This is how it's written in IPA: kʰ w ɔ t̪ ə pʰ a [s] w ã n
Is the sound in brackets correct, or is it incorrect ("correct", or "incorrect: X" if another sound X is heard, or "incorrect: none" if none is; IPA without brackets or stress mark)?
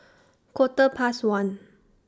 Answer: correct